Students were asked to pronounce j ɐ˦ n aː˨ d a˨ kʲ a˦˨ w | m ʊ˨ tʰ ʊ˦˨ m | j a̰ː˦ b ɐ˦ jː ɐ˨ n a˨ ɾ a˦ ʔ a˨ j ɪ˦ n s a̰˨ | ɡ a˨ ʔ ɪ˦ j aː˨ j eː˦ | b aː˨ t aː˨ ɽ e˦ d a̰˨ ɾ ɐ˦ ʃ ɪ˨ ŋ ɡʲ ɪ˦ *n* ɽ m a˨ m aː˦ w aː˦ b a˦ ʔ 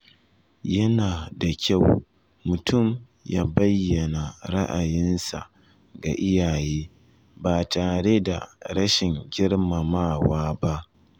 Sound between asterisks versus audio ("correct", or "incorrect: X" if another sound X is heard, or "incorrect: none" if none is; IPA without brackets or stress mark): incorrect: none